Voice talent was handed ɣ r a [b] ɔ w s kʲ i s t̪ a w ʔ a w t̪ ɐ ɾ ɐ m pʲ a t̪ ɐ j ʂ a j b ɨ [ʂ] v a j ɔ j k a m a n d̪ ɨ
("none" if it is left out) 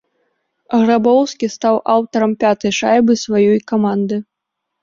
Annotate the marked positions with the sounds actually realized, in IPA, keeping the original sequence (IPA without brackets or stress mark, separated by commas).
b, s